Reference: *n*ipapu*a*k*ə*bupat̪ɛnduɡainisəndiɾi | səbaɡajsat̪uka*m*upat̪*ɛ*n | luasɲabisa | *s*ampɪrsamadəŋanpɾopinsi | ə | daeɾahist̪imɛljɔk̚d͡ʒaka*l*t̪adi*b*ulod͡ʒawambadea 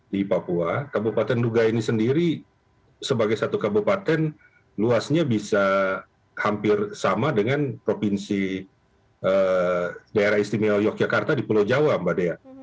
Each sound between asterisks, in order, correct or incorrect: incorrect: d, correct, incorrect: a, incorrect: b, correct, incorrect: h, incorrect: r, incorrect: p

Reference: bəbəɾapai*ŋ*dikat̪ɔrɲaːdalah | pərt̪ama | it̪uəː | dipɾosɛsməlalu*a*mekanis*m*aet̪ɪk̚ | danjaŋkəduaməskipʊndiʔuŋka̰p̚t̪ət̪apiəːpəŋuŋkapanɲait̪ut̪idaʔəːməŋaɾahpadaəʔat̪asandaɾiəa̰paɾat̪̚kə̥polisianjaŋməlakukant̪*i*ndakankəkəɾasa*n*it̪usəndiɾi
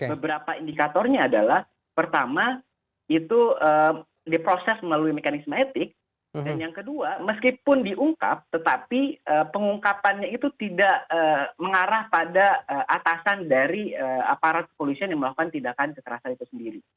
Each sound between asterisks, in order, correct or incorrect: incorrect: n, incorrect: i, correct, correct, correct

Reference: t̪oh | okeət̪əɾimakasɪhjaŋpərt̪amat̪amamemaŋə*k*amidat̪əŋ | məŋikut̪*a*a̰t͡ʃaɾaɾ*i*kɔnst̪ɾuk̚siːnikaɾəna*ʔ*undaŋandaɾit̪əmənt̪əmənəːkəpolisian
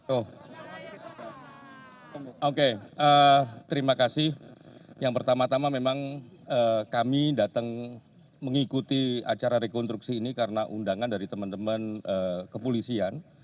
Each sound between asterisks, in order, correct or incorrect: correct, incorrect: i, incorrect: e, correct

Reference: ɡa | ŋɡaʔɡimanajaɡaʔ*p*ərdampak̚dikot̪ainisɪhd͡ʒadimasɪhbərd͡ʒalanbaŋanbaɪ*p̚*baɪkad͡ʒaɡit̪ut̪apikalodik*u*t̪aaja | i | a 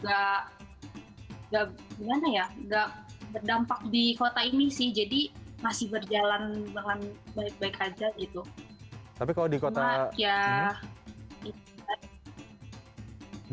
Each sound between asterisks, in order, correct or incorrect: incorrect: b, incorrect: k̚, incorrect: o

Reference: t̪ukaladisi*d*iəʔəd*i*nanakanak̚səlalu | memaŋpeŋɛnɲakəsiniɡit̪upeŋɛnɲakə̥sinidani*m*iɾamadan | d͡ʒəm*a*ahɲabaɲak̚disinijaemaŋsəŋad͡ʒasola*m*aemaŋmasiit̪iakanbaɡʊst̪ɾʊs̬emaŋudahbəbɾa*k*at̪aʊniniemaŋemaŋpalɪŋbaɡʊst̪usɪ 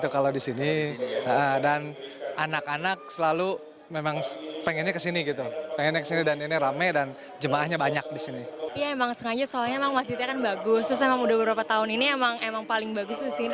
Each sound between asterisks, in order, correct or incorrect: incorrect: n, incorrect: a, incorrect: n, correct, incorrect: ɲ, incorrect: p

